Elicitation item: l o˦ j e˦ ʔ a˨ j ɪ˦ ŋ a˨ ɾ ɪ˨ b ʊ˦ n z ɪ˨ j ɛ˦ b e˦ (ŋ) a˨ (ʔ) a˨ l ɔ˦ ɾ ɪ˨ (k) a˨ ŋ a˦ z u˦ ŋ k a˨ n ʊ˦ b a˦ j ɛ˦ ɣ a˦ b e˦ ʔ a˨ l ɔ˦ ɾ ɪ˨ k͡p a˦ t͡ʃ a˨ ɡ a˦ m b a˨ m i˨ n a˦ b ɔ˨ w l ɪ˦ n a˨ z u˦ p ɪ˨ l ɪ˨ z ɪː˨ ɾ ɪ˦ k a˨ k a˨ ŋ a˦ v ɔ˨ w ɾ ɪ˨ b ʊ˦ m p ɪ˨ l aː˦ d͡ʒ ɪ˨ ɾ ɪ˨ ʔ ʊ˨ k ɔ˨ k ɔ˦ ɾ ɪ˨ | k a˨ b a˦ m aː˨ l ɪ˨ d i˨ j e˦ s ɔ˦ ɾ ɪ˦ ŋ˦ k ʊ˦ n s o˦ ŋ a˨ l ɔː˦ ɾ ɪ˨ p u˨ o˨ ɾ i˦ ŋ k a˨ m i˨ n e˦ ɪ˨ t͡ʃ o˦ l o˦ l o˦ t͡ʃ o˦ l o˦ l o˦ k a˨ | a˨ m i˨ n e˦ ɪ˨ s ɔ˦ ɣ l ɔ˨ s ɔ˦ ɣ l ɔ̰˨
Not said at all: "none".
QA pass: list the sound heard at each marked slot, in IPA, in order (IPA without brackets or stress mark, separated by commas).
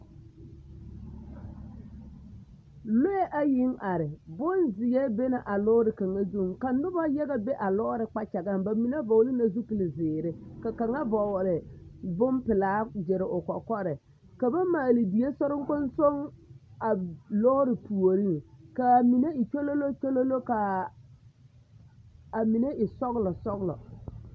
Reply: n, ʔ, k